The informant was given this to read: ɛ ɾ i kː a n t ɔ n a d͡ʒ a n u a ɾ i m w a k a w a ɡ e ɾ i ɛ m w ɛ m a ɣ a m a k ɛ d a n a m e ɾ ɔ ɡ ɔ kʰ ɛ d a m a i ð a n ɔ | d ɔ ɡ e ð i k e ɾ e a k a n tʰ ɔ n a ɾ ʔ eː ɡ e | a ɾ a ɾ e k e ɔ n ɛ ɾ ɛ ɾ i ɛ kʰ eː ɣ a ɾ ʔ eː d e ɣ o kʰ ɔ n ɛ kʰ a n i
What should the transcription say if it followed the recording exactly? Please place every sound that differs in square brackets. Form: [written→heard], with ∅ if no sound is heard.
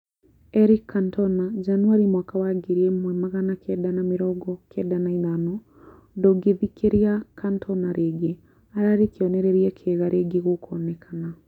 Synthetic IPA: ɛ ɾ i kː a n t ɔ n a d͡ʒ a n u a ɾ i m w a k a w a ɡ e ɾ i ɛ m w ɛ m a ɣ a [m→n] a k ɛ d a n a m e ɾ ɔ ɡ ɔ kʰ ɛ d a [m→n] a i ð a n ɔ | d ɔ ɡ e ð i k e ɾ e a k a n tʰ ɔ n a ɾ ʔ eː ɡ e | a ɾ a ɾ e k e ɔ n ɛ ɾ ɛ ɾ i ɛ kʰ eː ɣ a ɾ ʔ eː [d→ɡ] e ɣ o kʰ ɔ n ɛ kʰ a n [i→a]